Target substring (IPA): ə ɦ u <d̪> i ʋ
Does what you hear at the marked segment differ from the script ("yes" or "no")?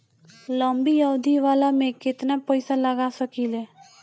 no